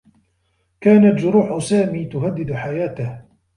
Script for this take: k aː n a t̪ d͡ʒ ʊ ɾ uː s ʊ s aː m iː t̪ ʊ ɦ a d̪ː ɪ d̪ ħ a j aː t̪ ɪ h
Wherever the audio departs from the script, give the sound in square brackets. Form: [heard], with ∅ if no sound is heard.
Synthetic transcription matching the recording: k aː n a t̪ d͡ʒ ʊ ɾ uː [ħ] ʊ s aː m iː t̪ ʊ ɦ a d̪ː ɪ d̪ ħ a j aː t̪ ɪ h